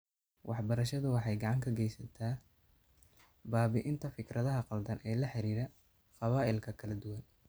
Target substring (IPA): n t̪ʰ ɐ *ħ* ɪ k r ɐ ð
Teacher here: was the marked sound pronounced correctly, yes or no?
no